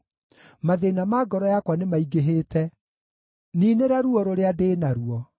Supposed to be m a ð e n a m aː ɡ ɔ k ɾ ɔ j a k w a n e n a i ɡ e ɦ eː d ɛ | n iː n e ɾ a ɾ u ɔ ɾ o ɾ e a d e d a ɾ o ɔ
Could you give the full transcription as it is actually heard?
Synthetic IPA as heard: m a ð e n a m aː ɡ ɔ ɾ ɔ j a k w a n e m a i ɡ e ɦ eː t ɛ | n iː n e ɾ a ɾ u ɔ ɾ o ɾ e a d e n a ɾ u ɔ